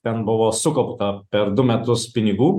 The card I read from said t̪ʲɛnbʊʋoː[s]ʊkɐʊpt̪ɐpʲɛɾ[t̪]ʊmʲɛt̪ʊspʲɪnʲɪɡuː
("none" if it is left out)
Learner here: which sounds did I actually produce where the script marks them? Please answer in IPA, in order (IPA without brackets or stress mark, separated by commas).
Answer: s, d̪